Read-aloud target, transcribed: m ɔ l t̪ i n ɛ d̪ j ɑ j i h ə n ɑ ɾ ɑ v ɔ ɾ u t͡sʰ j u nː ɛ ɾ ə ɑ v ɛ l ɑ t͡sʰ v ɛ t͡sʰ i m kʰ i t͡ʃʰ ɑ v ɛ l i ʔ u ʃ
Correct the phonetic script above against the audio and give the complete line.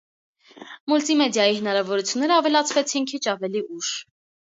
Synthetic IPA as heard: m u l t̪ i m ɛ d̪ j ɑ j i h ə n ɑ ɾ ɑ v ɔ ɾ u t͡sʰ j u nː ɛ ɾ ə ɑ v ɛ l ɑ t͡sʰ v ɛ t͡sʰ i n kʰ i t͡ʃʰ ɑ v ɛ l i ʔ u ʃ